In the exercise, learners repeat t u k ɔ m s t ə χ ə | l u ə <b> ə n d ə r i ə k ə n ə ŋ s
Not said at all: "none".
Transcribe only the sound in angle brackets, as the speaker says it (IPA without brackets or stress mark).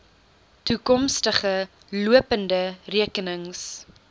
p